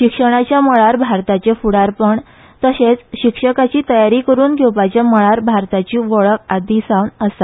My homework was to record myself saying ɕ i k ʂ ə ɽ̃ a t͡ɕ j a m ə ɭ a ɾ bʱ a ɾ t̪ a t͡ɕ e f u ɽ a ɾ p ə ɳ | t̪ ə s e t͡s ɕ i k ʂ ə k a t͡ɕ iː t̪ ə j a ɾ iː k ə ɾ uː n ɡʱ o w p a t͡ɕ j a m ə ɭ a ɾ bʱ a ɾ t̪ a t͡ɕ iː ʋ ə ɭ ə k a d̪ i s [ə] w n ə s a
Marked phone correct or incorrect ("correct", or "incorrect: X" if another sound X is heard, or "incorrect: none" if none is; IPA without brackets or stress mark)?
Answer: incorrect: a